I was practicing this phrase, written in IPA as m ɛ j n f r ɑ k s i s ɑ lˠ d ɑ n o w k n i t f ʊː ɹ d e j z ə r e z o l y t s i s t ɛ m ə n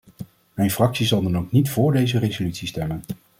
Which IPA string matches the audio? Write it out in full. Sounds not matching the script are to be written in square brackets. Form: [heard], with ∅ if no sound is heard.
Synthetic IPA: m ɛ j n f r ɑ k s i [z] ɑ lˠ d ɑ n o w k n i t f ʊː ɹ d e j z ə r e z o l y t s i s t ɛ m ə n

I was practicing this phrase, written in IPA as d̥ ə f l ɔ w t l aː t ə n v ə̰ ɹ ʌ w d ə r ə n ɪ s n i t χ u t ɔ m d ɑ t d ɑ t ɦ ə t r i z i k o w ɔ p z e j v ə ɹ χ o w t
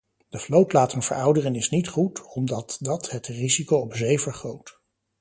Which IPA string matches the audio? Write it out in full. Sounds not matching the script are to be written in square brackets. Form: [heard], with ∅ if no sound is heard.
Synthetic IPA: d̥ ə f l [o] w t l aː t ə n v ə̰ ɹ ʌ w d ə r ə n ɪ s n i t χ u t ɔ m d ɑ t d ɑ t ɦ ə t r i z i k o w ɔ p z e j v ə ɹ χ o w t

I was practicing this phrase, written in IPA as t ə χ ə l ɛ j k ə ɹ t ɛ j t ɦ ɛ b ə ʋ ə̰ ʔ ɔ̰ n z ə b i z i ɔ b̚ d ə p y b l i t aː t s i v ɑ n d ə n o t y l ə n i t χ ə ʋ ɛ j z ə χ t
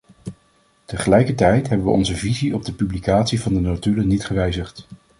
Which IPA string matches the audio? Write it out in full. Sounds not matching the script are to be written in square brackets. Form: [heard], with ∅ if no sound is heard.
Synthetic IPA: t ə χ ə l ɛ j k ə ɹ t ɛ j t ɦ ɛ b ə ʋ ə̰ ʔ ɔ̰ n z ə [v] i z i ɔ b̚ d ə p y b l i [k] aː t s i v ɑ n d ə n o t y l ə n i t χ ə ʋ ɛ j z ə χ t

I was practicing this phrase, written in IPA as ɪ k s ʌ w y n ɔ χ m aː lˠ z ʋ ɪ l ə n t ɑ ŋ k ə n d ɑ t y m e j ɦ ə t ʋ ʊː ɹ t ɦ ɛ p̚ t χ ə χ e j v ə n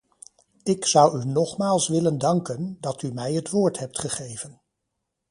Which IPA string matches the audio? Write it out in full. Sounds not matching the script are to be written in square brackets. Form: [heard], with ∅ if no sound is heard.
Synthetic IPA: ɪ k s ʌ w y n ɔ χ m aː lˠ [s] ʋ ɪ l ə n [d] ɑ ŋ k ə n d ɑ t y m [ɛ] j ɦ ə t ʋ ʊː ɹ t ɦ ɛ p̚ t χ ə χ e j v ə n

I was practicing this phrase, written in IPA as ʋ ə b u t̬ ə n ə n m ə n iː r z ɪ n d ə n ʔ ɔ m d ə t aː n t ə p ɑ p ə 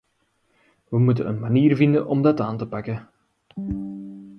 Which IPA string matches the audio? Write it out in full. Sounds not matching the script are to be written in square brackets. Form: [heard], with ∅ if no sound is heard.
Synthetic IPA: ʋ ə [m] u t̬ ə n ə n m [a] n iː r [v] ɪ n d ə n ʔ ɔ m d [ɑ] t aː n t ə p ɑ [k] ə

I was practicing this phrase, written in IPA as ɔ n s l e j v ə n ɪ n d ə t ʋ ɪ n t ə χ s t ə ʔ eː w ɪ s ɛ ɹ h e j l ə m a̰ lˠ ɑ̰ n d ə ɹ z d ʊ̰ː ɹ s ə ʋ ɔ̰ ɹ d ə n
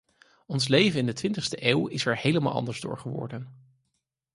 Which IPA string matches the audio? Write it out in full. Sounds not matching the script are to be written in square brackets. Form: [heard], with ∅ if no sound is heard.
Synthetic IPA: ɔ n s l e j v ə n ɪ n d ə t ʋ ɪ n t ə χ s t ə ʔ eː w ɪ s ɛ ɹ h e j l ə m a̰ lˠ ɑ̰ n d ə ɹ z d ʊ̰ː ɹ [χ] ə ʋ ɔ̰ ɹ d ə n

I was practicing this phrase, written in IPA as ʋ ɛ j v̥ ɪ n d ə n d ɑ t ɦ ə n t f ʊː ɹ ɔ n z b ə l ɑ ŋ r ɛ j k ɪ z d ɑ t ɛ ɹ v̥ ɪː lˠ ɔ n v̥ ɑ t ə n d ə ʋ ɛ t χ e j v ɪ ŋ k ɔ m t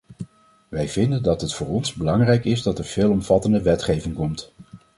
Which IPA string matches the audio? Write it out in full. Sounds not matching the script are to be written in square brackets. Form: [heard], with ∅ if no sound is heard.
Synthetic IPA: ʋ ɛ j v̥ ɪ n d ə n d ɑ t ɦ ə [∅] t f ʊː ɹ ɔ n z b ə l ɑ ŋ r ɛ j k ɪ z d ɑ t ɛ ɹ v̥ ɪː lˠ ɔ [m] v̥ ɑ t ə n d ə ʋ ɛ t χ e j v ɪ ŋ k ɔ m t

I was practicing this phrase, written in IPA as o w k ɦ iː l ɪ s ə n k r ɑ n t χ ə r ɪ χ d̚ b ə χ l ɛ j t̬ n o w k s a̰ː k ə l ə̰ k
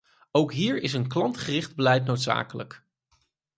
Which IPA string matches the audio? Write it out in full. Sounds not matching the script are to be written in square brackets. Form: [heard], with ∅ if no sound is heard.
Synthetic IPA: o w k ɦ iː [ɹ] ɪ s ə n k [l] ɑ n t χ ə r ɪ χ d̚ b ə [∅] l ɛ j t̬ n o w [t] s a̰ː k ə l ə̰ k

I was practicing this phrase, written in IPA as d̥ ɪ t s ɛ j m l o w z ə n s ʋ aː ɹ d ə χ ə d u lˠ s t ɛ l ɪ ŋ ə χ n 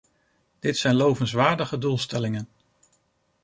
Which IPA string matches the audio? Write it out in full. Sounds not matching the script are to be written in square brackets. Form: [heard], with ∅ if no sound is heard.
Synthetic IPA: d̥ ɪ t s ɛ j [n] l o w [v] ə n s ʋ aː ɹ d ə χ ə d u lˠ s t ɛ l ɪ ŋ ə [∅] n

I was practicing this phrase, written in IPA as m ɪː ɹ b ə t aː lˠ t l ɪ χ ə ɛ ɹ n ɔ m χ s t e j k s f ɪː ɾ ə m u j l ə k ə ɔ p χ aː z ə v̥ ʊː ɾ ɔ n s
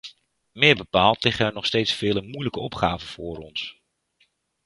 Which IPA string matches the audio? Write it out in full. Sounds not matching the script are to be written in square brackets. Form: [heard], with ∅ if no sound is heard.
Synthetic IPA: m ɪː ɹ b ə [p] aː lˠ t l ɪ χ ə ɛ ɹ n ɔ [∅] χ s t e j [t] s f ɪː [l] ə m u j l ə k ə ɔ p χ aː [v] ə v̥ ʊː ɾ ɔ n s

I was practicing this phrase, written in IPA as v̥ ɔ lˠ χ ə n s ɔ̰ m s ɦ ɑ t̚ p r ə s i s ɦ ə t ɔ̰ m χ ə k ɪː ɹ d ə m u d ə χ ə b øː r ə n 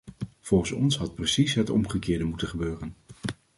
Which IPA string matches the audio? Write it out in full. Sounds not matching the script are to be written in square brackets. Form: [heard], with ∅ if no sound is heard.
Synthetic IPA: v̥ ɔ lˠ χ ə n s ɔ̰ [n] s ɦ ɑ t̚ p r ə s i s ɦ ə t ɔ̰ m χ ə k ɪː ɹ d ə m u [t] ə χ ə b øː r ə n

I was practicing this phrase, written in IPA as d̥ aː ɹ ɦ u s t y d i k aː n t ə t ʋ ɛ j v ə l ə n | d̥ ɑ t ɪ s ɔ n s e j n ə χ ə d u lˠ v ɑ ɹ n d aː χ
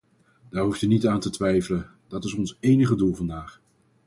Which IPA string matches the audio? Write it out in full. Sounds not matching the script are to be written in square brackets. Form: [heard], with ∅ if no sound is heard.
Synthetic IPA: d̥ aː ɹ ɦ u [f] t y [n] i [t] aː n t ə t ʋ ɛ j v ə l ə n | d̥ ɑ t ɪ s ɔ n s e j n ə χ ə d u lˠ v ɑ [∅] n d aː χ

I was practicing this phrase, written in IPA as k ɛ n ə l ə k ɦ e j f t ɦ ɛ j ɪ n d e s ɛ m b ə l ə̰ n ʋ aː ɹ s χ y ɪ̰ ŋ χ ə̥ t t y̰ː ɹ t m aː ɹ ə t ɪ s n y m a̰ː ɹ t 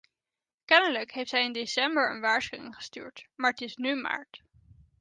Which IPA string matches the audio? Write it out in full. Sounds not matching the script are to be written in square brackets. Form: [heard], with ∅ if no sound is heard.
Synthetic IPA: k ɛ n ə l ə k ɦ e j f t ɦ ɛ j ɪ n d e s ɛ m b ə [ɹ] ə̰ n ʋ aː ɹ s χ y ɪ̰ ŋ χ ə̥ [s] t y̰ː ɹ t m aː ɹ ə t ɪ s n y m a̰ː ɹ t

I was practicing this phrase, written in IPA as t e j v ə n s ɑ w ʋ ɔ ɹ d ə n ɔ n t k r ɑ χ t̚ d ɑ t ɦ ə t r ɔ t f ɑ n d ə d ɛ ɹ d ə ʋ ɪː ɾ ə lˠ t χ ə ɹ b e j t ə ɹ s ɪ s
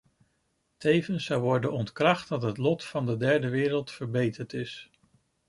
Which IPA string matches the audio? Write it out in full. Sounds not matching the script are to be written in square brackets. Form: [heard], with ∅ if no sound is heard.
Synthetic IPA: t e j v ə n s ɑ w ʋ ɔ ɹ d ə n ɔ n t k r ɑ χ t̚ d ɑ t ɦ ə t [l] ɔ t f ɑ n d ə d ɛ ɹ d ə ʋ ɪː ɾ ə lˠ t [f] ə ɹ b e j t ə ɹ [t] ɪ s

